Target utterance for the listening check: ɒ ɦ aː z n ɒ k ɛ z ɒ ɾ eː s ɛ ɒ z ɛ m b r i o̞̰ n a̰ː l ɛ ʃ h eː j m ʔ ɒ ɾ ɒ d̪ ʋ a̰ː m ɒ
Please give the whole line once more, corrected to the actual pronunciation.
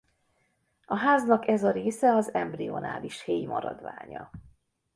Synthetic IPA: ɒ ɦ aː z n ɒ k ɛ z ɒ ɾ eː s ɛ ɒ z ɛ m b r i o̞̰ n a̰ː l i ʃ h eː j m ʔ ɒ ɾ ɒ d̪ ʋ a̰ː ɲ ɒ